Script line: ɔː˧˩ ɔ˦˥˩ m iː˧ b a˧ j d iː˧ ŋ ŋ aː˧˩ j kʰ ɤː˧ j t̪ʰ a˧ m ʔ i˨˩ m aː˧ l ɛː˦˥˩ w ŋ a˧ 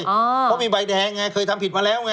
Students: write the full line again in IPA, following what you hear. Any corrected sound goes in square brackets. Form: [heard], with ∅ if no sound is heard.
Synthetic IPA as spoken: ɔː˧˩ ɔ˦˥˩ m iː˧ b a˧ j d [ɛː˧] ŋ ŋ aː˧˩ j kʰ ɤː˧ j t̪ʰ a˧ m [p] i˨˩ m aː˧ l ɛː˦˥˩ w ŋ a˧